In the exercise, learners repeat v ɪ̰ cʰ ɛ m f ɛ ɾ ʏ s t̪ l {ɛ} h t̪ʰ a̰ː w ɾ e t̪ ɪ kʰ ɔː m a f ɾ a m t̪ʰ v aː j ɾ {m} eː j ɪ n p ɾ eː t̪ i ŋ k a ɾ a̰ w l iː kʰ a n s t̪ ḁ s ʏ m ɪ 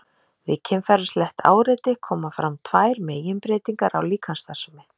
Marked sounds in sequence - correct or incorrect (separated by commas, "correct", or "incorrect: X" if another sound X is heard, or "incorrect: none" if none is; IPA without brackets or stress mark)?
correct, correct